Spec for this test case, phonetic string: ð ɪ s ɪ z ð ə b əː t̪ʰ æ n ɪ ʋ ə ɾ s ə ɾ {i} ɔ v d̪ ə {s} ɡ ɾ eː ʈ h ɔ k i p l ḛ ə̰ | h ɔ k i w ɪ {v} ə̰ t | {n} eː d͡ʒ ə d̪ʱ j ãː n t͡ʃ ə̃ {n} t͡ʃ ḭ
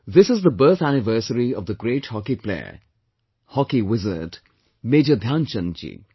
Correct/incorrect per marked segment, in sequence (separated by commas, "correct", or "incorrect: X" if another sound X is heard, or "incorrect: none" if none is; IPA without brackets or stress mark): correct, incorrect: none, incorrect: z, incorrect: m, correct